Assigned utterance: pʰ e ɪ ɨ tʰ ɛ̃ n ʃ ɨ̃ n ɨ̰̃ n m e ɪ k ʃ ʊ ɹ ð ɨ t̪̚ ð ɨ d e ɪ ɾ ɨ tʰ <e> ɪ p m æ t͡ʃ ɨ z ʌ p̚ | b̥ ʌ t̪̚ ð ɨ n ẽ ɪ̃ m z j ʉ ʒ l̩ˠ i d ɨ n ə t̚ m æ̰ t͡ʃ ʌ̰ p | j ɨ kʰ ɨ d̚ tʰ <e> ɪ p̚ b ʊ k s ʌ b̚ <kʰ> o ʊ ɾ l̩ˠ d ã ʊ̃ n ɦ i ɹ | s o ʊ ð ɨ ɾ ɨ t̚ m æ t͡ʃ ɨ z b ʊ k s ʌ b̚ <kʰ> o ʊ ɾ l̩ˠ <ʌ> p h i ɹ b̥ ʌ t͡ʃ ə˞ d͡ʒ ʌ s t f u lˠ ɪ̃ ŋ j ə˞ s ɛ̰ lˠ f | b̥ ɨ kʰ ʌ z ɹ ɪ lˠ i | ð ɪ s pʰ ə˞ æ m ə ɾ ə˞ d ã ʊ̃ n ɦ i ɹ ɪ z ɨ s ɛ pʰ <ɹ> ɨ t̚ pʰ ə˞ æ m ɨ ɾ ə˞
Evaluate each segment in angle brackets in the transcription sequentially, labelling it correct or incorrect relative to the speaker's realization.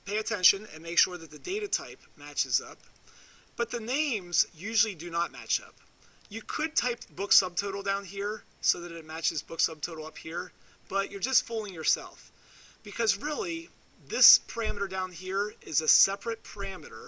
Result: incorrect: a, incorrect: a, incorrect: tʰ, incorrect: tʰ, correct, correct

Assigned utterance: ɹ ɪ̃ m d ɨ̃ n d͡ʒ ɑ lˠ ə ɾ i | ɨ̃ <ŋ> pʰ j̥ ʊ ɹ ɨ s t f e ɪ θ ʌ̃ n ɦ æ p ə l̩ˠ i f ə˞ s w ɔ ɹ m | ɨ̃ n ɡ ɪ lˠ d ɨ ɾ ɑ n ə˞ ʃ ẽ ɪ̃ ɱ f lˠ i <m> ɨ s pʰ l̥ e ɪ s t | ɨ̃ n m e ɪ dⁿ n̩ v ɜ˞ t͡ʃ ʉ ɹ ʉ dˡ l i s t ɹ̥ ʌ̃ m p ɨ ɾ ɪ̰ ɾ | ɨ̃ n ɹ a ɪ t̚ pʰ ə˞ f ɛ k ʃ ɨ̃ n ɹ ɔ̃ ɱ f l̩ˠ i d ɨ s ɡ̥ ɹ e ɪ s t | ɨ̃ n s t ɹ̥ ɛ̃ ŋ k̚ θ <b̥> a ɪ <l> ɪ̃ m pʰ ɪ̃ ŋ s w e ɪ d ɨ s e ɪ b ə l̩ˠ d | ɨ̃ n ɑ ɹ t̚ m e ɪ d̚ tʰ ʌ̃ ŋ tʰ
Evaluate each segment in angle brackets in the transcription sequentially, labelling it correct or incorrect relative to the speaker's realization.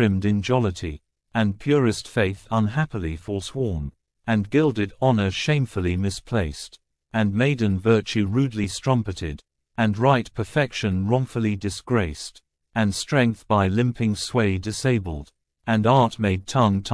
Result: incorrect: n, correct, correct, correct

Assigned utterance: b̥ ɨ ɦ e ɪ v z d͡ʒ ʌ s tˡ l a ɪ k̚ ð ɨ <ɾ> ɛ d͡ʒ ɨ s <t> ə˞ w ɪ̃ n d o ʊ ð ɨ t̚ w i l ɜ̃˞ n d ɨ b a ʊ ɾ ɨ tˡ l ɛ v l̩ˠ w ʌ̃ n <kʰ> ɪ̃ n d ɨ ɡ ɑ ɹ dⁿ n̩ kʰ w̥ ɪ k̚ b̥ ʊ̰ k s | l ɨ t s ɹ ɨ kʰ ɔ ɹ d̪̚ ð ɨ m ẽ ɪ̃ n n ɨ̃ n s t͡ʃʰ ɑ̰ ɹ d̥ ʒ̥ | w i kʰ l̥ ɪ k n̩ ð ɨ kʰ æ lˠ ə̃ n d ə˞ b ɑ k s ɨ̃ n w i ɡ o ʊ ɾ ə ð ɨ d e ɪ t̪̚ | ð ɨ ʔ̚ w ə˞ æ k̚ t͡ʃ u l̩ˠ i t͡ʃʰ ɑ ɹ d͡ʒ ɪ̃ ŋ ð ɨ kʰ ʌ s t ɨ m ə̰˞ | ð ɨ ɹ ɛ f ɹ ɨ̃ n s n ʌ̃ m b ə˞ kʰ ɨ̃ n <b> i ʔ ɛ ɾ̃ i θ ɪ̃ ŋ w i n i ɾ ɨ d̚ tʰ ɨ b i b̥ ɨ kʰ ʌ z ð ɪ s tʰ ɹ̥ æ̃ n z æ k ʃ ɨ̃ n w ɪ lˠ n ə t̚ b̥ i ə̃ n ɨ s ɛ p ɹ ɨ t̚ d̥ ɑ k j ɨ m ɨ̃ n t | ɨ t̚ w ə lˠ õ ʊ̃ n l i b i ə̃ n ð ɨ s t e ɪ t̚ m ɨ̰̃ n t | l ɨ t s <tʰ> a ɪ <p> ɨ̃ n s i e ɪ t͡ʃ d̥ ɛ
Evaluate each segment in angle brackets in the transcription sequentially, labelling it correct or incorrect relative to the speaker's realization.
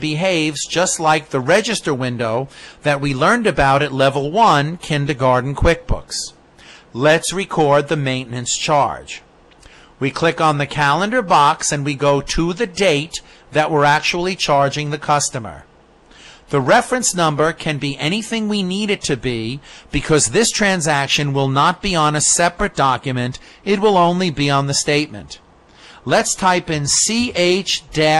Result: incorrect: ɹ, correct, correct, correct, correct, correct

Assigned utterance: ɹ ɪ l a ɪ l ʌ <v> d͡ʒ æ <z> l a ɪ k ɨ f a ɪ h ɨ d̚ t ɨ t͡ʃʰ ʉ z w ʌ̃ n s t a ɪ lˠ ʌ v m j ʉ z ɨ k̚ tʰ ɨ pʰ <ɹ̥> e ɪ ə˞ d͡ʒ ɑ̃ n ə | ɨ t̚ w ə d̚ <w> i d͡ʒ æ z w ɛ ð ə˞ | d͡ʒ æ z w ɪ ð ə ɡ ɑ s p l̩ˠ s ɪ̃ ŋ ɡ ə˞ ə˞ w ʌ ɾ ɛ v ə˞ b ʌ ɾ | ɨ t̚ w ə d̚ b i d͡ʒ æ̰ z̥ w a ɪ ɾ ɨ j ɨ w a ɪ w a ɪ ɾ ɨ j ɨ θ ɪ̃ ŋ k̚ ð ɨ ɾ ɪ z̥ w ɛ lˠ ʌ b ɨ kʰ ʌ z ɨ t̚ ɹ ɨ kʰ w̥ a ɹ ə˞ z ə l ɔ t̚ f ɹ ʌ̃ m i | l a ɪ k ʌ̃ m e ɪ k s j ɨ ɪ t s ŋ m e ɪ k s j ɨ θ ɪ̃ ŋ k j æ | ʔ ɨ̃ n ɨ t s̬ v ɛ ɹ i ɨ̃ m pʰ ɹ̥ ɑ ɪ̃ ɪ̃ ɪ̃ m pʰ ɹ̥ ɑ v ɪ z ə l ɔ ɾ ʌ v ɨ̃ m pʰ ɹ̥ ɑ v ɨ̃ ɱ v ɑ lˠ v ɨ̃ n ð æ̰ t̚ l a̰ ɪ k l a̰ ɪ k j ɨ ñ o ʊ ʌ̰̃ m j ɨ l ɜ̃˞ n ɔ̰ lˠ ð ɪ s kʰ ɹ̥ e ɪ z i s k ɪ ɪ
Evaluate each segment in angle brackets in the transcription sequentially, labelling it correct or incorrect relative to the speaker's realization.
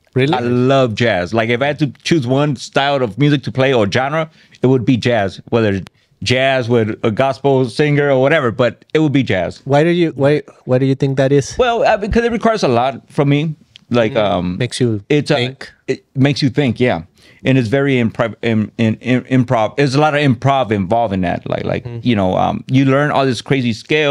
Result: correct, correct, incorrect: l̥, incorrect: b

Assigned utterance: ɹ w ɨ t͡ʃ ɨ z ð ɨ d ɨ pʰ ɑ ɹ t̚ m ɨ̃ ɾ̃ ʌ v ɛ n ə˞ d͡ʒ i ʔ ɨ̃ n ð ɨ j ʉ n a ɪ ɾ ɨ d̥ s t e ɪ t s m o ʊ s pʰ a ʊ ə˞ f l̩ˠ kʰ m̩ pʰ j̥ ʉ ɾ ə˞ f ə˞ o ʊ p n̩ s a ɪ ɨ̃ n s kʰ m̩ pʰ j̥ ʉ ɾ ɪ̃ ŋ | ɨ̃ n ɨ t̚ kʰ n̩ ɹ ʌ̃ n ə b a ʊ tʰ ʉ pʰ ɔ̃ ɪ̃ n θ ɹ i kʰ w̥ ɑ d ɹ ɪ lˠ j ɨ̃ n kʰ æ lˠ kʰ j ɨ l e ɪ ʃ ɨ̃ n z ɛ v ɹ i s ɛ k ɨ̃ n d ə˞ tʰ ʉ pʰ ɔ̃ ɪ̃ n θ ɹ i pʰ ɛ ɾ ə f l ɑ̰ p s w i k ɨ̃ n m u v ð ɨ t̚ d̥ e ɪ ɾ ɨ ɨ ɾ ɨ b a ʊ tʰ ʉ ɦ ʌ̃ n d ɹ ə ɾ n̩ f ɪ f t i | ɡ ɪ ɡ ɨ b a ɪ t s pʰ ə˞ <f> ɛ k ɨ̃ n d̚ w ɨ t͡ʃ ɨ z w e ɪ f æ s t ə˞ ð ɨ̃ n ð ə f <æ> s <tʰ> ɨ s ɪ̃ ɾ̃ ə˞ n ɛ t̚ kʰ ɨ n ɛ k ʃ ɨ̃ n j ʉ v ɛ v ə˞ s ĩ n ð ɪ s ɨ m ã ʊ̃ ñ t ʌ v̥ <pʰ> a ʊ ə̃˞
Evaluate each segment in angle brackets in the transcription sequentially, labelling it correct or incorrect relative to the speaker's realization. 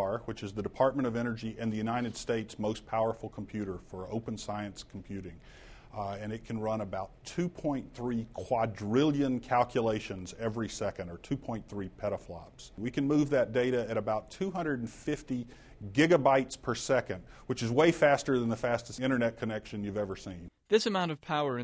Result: incorrect: s, correct, incorrect: t, correct

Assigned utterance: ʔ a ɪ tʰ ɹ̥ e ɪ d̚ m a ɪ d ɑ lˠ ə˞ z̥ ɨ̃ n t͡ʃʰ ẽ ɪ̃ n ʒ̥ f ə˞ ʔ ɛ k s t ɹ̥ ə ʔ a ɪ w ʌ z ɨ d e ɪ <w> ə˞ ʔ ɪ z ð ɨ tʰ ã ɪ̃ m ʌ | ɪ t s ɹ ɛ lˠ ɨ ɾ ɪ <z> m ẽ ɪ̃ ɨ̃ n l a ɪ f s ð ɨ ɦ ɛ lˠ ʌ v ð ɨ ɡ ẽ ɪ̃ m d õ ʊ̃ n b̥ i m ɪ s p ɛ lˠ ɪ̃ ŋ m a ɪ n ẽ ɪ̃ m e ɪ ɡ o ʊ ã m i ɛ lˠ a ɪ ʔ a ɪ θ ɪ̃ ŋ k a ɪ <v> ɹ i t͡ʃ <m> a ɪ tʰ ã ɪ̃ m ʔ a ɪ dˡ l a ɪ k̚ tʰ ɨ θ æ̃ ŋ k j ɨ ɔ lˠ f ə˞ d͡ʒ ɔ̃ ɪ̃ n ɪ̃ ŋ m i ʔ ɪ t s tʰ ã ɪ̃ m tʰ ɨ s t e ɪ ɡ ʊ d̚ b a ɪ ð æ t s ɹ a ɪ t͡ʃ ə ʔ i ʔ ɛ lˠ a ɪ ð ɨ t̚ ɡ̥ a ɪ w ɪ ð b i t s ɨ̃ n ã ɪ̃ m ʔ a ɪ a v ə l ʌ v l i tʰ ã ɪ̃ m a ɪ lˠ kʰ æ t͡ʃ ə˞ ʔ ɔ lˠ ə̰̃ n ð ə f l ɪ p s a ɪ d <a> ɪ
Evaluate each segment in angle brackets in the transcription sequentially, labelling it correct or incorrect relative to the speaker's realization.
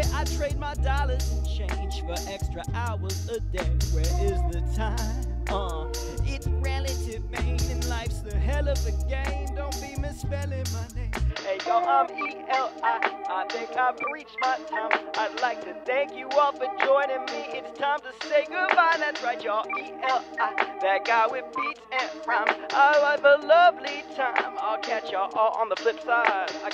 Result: correct, incorrect: v, correct, correct, correct

